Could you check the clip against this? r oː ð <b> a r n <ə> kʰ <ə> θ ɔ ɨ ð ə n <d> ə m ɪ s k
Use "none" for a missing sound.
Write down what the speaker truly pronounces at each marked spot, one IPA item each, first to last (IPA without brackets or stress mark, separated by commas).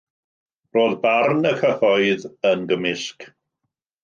b, ə, ə, ɡ